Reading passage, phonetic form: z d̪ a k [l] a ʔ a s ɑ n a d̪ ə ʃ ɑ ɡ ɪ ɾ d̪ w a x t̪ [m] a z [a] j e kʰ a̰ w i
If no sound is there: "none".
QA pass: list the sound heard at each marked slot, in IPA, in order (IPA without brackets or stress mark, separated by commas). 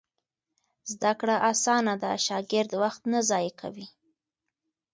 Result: ɽ, n, ɑ